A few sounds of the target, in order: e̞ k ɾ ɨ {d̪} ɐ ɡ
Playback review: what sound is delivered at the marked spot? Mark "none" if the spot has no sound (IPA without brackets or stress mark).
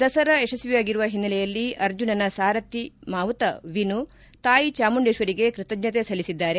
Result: t̪